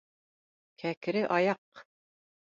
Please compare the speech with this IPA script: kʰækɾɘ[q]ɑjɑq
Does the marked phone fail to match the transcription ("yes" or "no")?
yes